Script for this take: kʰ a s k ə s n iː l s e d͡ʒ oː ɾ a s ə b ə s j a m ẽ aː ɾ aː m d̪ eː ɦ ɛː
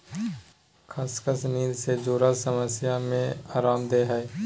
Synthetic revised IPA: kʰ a s k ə s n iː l s e d͡ʒ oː ɾ a s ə m ə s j a m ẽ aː ɾ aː m d̪ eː ɦ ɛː

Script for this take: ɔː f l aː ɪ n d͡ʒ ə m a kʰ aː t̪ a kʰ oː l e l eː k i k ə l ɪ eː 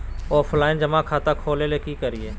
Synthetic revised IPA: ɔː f l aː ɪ n d͡ʒ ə m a kʰ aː t̪ a kʰ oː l e l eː k i k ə ɾ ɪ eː

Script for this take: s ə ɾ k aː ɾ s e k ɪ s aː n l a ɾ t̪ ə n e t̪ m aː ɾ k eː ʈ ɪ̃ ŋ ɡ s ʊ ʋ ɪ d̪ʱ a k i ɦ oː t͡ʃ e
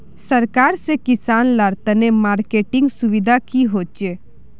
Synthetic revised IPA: s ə ɾ k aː ɾ s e k ɪ s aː n l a ɾ t̪ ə n e m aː ɾ k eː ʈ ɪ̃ ŋ ɡ s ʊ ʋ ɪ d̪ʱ a k i ɦ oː t͡ʃ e

